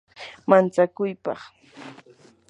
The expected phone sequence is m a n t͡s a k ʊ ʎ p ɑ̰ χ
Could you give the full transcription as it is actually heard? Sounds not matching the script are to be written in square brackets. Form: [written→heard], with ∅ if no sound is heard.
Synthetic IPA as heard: m a n t͡s a k ʊ [ʎ→j] p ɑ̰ χ